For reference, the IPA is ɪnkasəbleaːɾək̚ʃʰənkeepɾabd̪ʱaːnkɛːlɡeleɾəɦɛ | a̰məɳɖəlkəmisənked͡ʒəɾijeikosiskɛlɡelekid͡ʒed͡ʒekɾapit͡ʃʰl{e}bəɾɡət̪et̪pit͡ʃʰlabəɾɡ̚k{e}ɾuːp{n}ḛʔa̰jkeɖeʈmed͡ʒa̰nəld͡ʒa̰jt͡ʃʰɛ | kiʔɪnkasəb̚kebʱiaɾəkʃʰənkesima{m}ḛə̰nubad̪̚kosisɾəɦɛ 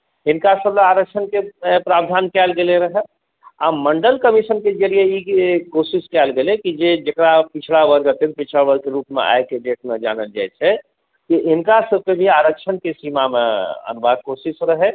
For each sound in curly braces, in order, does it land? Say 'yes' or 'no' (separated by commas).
no, yes, no, yes